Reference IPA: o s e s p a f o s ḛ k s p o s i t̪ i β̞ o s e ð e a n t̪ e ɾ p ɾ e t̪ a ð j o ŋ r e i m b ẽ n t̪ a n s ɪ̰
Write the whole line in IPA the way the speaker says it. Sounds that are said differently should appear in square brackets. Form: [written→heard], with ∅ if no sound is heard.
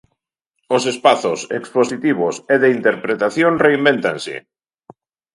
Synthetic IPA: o s e s p a [f→θ] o s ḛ k s p o s i t̪ i β̞ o s e ð e [a→i] n t̪ e ɾ p ɾ e t̪ a [ð→θ] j o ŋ r e i m b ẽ n t̪ a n s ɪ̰

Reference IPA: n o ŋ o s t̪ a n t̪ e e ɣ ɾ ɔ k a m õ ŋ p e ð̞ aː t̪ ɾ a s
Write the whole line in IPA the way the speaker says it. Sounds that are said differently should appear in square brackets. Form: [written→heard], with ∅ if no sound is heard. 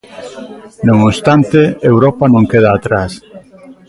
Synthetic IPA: n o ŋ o s t̪ a n t̪ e e [ɣ→w] ɾ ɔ [k→p] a [m→n] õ ŋ [p→k] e ð̞ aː t̪ ɾ a s

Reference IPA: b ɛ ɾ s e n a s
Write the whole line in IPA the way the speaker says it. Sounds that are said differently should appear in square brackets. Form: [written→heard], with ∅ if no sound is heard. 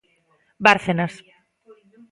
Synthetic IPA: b [ɛ→a] ɾ [s→θ] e n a s

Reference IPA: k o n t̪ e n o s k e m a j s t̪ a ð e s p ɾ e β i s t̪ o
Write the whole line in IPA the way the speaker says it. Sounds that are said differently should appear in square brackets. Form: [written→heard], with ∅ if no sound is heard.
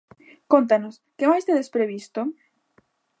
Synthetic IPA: k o n t̪ [e→a] n o s k e m a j s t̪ [a→e] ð e s p ɾ e β i s t̪ o

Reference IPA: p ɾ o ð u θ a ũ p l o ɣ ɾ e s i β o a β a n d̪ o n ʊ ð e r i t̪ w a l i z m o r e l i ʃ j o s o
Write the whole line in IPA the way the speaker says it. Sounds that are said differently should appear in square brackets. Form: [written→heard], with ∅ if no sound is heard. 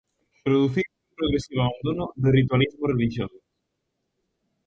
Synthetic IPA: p ɾ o ð u θ [a→i] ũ p [l→ɾ] o ɣ ɾ e s i β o a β a n d̪ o n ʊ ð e r i t̪ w a l i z m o r e l i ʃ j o s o

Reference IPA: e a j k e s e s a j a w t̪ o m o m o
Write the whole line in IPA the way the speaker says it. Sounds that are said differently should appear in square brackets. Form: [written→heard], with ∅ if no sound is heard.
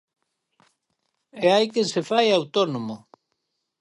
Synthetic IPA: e a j k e s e [s→f] a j a w t̪ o [m→n] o m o

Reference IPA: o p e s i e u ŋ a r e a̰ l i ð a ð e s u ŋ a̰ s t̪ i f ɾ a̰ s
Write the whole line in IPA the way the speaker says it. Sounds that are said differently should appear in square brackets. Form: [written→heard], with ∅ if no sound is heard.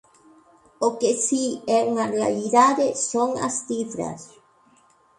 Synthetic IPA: o [p→k] e s i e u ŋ a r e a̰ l i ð a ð e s [u→o] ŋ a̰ s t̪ i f ɾ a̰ s

